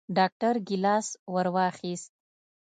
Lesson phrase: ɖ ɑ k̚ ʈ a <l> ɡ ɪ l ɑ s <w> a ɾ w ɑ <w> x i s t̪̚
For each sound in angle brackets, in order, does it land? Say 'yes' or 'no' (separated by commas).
no, yes, no